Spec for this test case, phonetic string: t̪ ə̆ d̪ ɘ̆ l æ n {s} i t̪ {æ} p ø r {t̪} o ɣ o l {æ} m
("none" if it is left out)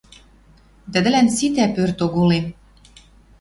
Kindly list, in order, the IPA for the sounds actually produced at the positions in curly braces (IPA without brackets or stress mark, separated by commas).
s, æ, t̪, e